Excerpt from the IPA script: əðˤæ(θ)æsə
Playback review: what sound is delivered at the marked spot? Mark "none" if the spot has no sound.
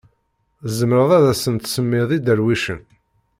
ð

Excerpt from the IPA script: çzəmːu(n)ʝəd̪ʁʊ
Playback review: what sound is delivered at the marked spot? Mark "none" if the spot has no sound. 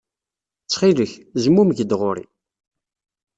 m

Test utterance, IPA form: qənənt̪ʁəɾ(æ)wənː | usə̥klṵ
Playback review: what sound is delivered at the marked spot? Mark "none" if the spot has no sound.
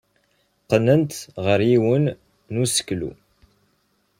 i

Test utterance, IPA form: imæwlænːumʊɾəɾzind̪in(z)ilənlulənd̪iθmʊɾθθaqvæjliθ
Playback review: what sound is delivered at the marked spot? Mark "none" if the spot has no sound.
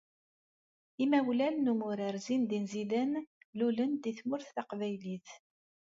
z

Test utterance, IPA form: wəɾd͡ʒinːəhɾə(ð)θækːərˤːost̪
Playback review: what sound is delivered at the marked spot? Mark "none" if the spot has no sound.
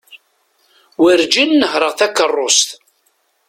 ʁ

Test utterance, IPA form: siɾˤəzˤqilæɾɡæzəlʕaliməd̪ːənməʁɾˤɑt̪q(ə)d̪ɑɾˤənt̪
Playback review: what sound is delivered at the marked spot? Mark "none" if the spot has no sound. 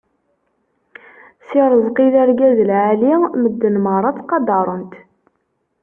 ɑ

